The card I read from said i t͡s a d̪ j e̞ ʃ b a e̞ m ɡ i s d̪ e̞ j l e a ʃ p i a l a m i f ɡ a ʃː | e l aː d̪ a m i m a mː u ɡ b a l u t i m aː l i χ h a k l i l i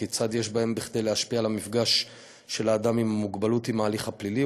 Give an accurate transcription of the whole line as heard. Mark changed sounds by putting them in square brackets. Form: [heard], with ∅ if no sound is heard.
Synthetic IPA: i t͡s a d̪ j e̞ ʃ b a e̞ m [b] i [χ] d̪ e̞ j l e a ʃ p i a l a m i f ɡ a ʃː | e l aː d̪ a m i m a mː u ɡ b a l u t i m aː l i χ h a [p] l i l i